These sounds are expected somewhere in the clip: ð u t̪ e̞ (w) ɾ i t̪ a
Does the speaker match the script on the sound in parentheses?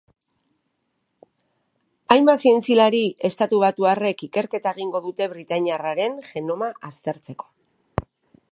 no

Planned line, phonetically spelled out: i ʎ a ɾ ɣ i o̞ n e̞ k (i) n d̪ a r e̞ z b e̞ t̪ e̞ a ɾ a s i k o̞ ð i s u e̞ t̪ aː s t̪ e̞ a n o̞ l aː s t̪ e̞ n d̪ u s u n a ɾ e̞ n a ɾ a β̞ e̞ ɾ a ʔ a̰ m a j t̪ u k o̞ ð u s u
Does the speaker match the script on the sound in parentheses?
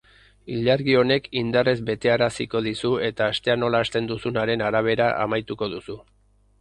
yes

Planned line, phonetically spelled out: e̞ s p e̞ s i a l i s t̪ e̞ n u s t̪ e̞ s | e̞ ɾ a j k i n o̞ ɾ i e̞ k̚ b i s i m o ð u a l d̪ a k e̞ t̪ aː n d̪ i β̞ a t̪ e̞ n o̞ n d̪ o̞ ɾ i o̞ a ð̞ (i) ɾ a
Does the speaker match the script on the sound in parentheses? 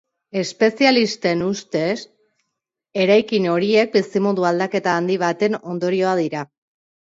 yes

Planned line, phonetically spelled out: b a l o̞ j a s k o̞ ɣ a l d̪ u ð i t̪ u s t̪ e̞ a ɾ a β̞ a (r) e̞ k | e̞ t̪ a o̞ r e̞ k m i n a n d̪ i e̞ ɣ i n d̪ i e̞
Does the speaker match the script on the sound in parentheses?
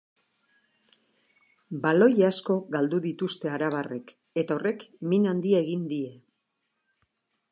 yes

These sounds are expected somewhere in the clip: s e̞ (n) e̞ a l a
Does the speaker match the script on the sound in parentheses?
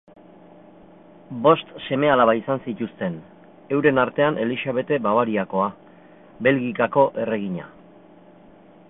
no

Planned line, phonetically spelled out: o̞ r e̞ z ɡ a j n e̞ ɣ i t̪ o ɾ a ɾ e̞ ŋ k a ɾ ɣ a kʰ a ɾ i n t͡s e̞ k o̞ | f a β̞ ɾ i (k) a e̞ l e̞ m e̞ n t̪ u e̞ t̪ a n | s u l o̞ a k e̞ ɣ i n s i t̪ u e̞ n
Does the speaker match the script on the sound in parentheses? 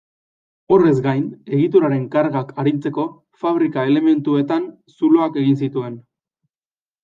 yes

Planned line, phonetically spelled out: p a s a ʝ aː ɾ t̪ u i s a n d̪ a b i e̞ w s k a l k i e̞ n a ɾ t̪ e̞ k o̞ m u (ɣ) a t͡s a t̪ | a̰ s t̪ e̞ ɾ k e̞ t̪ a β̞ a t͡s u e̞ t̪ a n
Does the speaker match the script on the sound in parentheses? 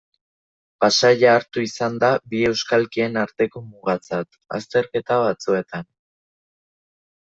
yes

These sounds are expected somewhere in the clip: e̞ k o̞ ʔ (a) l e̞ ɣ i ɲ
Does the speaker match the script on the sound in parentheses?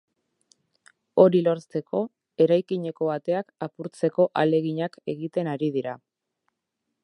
yes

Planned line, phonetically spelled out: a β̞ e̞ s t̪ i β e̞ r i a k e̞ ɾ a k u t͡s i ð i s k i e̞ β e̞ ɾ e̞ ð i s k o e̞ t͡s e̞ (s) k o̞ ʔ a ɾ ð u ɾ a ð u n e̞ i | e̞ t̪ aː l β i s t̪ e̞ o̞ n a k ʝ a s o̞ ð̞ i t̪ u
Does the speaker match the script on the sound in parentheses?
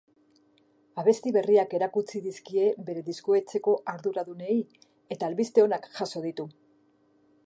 no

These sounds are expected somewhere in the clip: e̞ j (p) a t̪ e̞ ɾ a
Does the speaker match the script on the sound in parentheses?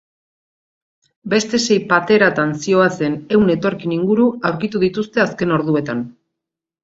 yes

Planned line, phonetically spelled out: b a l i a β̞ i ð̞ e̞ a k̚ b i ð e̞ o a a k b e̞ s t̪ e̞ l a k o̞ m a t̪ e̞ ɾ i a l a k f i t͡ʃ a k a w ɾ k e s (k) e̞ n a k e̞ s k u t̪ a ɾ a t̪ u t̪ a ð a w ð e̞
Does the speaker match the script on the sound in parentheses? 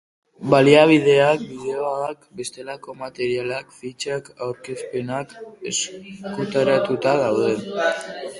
no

